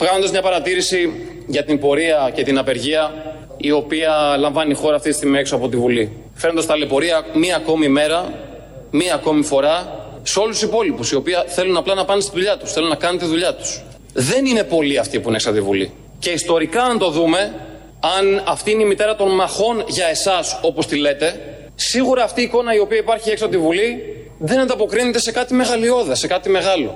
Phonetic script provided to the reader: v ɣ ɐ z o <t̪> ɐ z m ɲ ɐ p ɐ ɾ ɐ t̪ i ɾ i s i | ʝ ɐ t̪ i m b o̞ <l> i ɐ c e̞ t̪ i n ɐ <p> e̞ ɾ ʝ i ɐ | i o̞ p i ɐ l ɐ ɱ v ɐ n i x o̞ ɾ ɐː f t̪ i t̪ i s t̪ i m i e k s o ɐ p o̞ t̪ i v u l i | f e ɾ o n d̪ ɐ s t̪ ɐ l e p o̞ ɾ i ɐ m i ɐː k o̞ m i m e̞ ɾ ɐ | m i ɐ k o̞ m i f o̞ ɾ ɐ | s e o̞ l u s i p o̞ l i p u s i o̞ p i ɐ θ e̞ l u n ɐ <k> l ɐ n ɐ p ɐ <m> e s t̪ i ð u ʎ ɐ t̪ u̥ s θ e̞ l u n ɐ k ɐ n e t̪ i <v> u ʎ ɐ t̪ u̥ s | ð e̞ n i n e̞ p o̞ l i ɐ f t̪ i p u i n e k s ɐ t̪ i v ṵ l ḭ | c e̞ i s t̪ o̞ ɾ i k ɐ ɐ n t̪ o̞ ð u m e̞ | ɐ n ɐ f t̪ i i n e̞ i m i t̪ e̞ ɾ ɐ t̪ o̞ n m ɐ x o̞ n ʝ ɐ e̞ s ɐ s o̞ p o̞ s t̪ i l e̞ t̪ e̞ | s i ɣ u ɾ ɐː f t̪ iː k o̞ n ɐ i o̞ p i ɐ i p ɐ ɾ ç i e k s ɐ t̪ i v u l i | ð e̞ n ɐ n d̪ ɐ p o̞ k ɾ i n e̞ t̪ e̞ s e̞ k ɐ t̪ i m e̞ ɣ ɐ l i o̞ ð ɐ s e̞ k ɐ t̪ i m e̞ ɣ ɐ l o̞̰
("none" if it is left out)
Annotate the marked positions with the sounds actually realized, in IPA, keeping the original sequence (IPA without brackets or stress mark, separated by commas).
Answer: d̪, ɾ, p, p, n, ð